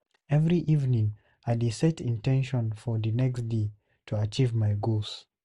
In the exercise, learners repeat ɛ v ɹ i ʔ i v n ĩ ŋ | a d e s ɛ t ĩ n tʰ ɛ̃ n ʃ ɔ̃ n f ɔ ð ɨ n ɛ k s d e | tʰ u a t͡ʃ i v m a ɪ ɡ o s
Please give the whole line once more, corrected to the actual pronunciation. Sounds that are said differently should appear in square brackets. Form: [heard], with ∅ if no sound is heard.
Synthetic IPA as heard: ɛ v ɹ i ʔ i v n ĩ ŋ | a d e s ɛ t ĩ n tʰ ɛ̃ n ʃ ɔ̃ n f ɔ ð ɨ n ɛ k s d e | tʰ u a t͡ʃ i v m a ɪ ɡ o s